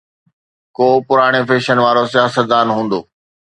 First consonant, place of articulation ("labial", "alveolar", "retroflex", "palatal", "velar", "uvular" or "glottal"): velar